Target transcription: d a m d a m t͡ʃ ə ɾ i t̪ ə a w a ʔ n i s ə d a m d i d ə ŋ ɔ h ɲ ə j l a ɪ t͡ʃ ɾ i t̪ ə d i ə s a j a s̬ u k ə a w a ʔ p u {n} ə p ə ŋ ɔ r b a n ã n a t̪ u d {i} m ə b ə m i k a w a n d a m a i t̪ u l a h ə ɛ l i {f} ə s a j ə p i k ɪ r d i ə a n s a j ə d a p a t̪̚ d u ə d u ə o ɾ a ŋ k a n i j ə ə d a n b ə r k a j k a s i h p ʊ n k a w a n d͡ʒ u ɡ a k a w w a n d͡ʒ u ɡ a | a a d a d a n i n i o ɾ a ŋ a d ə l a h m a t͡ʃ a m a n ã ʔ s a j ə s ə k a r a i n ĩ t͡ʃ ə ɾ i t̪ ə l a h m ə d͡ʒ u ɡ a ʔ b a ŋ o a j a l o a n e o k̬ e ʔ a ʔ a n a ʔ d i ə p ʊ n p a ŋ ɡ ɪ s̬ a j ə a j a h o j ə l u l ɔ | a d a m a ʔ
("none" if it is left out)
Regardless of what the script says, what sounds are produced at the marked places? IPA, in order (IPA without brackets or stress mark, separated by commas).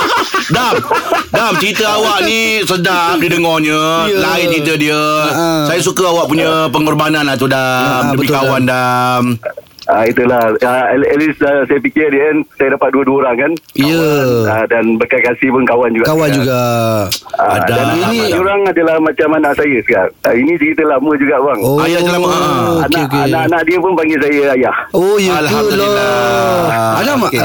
ɲ, a, s